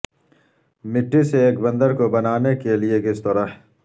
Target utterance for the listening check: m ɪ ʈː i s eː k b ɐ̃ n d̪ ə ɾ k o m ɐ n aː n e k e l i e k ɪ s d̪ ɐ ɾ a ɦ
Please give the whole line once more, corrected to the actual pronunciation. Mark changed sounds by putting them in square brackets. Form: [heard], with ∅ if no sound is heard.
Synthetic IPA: m ɪ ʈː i s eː k b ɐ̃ n d̪ ə ɾ k o [b] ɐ n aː n e k e l i e k ɪ s [t̪] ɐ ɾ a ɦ